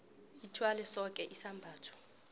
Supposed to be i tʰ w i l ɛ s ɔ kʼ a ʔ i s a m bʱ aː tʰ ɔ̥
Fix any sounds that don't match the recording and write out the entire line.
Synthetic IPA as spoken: i tʰ w a l ɛ s ɔ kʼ ɛ ʔ i s a m bʱ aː tʰ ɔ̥

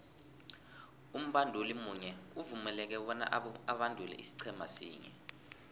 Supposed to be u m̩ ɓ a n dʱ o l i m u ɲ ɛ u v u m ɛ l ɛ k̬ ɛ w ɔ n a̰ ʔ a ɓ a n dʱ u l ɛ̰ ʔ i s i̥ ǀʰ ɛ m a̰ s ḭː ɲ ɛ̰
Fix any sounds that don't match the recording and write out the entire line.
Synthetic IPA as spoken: u m̩ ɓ a n dʱ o l i m u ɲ ɛ u v u m ɛ l ɛ k̬ ɛ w ɔ n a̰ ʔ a ɓ a n dʱ u l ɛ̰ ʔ i s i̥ ǀʰ ɛ m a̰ s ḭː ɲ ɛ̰

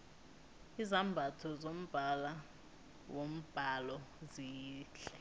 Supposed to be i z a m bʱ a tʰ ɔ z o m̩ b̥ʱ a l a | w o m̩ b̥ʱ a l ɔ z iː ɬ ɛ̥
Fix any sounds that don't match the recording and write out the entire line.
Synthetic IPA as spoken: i z a m bʱ a tʰ ɔ z o m̩ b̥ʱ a l a | w o m̩ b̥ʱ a l ɔ z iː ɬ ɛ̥

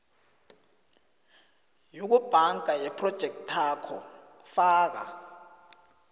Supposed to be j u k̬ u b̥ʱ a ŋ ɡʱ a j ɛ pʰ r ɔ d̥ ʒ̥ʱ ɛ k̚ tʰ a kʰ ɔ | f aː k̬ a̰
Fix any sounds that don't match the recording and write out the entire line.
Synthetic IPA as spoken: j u k̬ u b̥ʱ a ŋ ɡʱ a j ɛ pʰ r ɔ d̥ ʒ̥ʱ ɛ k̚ tʰ a kʰ ɔ | f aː k̬ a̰

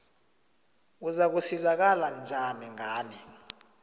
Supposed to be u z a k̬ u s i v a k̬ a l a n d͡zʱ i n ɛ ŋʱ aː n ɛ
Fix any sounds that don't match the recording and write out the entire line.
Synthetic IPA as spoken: u z a k̬ u s i z a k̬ a l a n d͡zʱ a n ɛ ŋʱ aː n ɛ

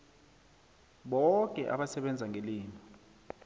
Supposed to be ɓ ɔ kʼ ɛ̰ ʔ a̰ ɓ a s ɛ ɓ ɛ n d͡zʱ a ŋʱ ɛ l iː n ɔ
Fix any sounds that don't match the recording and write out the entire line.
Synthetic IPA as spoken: ɓ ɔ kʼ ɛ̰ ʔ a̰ ɓ a s ɛ ɓ ɛ n d͡zʱ a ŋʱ e l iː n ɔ

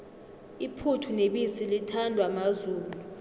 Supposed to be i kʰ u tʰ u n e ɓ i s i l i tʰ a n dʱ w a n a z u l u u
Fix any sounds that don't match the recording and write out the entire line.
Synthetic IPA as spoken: i pʰ u tʰ u n e ɓ i s i l i tʰ a n dʱ w a m a z uː l u u

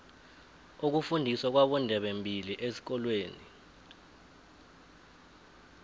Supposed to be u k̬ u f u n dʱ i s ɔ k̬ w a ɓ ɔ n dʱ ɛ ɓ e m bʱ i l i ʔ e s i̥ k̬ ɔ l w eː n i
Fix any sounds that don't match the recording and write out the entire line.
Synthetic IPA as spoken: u k̬ u f u n dʱ i s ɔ k̬ w a ɓ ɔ n dʱ ɛ ɓ e m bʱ i l i ʔ e s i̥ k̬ ɔ l w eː n i

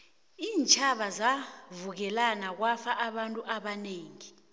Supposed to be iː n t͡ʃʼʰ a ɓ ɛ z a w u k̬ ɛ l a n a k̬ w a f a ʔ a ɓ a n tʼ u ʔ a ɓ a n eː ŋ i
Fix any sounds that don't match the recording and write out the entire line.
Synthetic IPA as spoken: iː n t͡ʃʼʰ a ɓ a z a v u k̬ ɛ l a n a k̬ w a f a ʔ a ɓ a n tʼ u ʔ a ɓ a n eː ŋ i

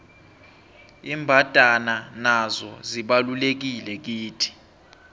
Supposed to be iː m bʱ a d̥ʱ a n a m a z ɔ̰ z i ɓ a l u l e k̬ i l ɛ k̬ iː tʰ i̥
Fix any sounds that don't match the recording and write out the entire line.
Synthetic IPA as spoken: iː m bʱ a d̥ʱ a n a n a z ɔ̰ z i ɓ a l u l e k̬ i l ɛ k̬ iː tʰ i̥

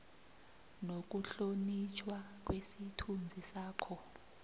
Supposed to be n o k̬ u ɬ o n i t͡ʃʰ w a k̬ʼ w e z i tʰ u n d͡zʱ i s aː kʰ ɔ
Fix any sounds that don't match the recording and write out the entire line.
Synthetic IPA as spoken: n o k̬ u ɬ o n i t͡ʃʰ w a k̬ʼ w e s i tʰ u n d͡zʱ i s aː kʰ ɔ

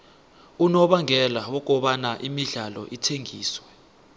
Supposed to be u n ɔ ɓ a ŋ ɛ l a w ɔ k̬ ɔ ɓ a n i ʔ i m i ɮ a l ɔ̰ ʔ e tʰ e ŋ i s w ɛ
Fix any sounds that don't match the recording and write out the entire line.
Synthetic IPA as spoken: u n ɔ ɓ a ŋ ɛ l a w ɔ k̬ ɔ ɓ a n a ʔ i m i ɮ a l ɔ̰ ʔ i tʰ e ŋ iː s w ɛ

